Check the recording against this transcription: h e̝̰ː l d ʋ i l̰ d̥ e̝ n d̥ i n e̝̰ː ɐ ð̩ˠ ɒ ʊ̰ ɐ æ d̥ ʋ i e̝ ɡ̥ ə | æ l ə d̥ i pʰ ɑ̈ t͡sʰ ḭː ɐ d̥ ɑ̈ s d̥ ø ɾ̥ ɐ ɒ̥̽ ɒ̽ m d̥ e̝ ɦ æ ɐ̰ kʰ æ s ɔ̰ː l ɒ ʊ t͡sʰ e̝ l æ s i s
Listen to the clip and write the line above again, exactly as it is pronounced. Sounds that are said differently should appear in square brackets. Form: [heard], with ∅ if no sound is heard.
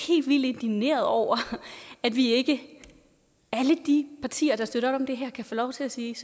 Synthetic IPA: h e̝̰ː l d ʋ i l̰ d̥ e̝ n d̥ i n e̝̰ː ɐ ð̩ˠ ɒ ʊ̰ ɐ æ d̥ ʋ i e̝ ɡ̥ ə | æ l ə d̥ i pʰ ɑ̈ t͡sʰ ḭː ɐ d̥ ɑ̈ s d̥ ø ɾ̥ ɐ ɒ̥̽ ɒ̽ m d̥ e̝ ɦ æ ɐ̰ kʰ æ [f] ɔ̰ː l ɒ ʊ t͡sʰ e̝ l æ s [iː] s